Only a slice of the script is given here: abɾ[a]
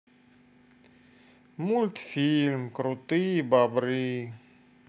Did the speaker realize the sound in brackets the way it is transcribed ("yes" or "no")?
no